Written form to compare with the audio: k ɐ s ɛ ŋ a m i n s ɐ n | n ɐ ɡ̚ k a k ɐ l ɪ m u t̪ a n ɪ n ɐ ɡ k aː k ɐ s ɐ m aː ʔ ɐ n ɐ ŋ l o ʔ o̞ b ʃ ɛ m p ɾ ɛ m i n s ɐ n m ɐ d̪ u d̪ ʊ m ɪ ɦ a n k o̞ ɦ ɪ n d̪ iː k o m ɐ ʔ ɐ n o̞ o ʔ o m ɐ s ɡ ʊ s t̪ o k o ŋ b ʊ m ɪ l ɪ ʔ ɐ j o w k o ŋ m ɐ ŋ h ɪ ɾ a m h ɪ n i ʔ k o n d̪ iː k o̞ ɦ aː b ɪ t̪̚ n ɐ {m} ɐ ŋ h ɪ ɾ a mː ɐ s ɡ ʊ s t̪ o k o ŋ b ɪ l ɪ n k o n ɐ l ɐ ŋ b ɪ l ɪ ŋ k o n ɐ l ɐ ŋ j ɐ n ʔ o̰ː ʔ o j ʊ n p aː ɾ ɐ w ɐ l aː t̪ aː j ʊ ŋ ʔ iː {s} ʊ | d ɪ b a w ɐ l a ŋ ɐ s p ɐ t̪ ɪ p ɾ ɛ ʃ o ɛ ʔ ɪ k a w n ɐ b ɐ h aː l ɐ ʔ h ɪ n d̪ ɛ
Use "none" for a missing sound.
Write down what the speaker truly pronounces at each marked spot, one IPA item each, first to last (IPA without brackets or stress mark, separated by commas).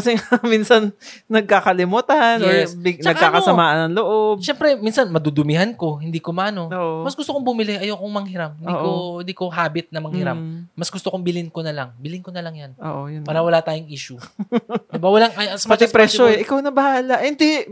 m, ʃ